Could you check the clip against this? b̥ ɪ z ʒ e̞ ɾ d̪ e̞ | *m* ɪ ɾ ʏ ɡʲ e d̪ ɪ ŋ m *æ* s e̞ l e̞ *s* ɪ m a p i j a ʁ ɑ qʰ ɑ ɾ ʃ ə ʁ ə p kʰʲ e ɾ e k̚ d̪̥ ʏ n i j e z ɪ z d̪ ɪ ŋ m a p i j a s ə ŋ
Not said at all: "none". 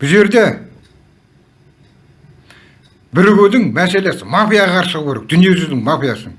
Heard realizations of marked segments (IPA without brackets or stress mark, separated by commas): b, æ, s